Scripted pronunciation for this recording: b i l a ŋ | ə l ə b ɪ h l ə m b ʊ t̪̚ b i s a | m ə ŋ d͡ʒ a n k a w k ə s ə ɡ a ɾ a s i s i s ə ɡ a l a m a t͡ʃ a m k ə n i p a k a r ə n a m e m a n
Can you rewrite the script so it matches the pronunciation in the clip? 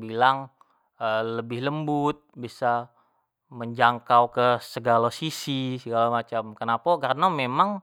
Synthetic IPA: b i l a ŋ | ə l ə b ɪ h l ə m b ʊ t̪̚ b i s a | m ə ɲ d͡ʒ a ŋ k a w k ə s ə ɡ a l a s i s i s ə ɡ a l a m a t͡ʃ a m k ə n a p a k a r ə n a m e m a ŋ